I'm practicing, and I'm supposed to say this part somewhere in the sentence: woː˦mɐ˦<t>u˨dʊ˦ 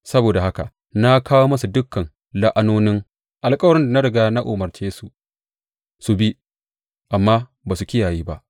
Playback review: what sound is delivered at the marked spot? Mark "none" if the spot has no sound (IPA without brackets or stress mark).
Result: s